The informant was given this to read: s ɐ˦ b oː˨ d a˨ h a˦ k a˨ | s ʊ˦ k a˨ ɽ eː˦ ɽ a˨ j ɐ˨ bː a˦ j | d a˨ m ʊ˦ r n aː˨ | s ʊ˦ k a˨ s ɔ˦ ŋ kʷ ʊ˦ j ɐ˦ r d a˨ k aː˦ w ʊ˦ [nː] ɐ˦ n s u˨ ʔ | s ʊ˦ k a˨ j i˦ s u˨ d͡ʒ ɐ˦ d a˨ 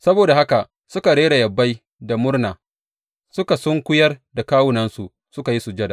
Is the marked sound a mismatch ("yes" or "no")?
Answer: yes